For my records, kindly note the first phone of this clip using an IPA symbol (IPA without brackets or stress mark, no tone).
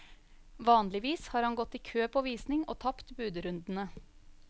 ʋ